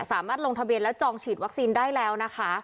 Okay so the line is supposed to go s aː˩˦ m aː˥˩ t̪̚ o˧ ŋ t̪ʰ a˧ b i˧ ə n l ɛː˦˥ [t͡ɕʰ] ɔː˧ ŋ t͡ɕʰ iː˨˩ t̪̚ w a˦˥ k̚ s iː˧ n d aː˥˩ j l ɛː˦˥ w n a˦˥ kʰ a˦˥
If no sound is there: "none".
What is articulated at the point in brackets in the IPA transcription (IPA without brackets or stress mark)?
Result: t͡ɕ